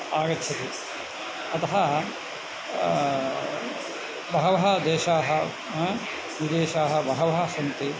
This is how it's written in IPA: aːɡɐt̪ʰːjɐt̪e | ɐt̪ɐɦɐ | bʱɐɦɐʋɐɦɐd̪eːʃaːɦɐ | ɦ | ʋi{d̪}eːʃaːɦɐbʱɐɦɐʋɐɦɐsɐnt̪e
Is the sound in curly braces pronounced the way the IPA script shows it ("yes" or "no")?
yes